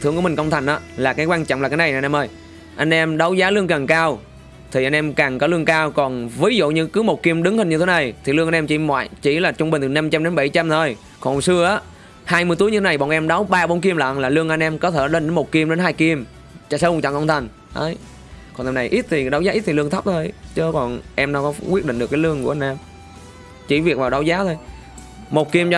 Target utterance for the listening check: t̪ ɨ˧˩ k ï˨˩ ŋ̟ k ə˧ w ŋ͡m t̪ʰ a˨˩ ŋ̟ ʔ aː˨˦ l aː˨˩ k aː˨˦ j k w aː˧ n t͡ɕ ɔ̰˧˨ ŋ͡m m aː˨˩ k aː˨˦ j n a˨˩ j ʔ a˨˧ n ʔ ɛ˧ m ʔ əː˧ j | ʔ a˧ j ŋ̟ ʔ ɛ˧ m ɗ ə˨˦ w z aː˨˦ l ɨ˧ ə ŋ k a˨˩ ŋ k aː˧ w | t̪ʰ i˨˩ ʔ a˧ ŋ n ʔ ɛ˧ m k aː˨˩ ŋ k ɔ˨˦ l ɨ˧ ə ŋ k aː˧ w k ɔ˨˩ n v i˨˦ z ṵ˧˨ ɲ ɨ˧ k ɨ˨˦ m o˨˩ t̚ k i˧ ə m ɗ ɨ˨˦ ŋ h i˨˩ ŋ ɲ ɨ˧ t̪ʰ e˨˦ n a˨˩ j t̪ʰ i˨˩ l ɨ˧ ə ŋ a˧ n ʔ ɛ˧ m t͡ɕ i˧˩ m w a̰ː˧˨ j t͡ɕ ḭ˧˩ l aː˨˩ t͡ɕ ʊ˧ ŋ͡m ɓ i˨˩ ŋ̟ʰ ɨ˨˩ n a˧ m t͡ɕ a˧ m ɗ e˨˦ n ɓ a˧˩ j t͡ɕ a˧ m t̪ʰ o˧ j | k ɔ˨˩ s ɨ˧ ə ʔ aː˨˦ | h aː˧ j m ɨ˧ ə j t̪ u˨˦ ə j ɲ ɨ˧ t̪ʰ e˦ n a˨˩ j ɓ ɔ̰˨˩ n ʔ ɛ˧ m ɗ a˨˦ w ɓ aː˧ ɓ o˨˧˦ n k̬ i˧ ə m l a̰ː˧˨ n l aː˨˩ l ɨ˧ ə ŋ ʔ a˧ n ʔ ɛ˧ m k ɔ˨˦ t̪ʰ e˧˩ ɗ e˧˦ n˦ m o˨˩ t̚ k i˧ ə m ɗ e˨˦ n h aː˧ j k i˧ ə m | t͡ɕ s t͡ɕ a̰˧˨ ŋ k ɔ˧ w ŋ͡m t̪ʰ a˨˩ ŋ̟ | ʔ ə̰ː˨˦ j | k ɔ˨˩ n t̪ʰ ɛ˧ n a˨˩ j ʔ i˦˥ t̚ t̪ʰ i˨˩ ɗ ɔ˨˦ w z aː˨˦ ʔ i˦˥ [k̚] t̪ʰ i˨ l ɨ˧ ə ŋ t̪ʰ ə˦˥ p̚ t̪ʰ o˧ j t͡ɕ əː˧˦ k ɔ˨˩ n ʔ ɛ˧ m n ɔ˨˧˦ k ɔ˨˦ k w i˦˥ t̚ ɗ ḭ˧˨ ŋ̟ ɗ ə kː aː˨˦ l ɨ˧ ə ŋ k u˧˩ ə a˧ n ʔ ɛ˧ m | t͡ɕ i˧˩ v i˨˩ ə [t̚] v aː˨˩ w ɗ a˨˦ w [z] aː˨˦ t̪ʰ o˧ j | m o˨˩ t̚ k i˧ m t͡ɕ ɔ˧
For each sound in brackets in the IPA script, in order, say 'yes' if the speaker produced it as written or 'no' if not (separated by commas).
no, no, yes